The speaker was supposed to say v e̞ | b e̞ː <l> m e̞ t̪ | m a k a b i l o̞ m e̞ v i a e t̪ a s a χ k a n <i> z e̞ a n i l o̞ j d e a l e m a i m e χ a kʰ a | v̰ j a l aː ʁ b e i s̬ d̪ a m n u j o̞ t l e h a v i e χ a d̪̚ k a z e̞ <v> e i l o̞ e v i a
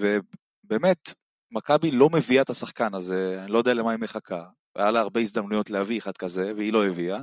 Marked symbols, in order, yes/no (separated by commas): no, no, yes